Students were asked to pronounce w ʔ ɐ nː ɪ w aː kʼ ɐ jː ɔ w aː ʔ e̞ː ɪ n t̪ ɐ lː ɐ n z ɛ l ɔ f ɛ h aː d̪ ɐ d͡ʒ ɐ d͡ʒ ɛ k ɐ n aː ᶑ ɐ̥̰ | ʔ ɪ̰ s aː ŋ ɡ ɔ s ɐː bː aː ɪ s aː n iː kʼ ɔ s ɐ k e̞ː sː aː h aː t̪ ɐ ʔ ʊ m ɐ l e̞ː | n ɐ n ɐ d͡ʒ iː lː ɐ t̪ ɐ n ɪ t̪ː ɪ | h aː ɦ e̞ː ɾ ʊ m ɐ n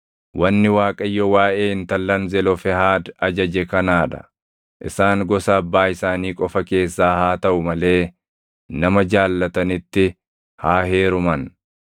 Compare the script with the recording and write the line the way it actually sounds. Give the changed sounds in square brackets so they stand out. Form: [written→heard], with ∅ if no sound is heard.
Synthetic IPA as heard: w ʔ ɐ nː ɪ w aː kʼ ɐ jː ɔ w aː ʔ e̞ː ɪ n t̪ ɐ lː ɐ n z ɛ l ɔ f ɛ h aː d̪ ɐ d͡ʒ ɐ d͡ʒ ɛ k ɐ n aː ᶑ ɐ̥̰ | ʔ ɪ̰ s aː ŋ ɡ ɔ s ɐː bː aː ɪ s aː n iː kʼ ɔ [s→f] ɐ k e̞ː sː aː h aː t̪ ɐ ʔ ʊ m ɐ l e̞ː | n ɐ [n→m] ɐ d͡ʒ [iː→aː] lː ɐ t̪ ɐ n ɪ t̪ː ɪ | h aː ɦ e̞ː ɾ ʊ m ɐ n